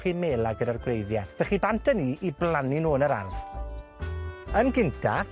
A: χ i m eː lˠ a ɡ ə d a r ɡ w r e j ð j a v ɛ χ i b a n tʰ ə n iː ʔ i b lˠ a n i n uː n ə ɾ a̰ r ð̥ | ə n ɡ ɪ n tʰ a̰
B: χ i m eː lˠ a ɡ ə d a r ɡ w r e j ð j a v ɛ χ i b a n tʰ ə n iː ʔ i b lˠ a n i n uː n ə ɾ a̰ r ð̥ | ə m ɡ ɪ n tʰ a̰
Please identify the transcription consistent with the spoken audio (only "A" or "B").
A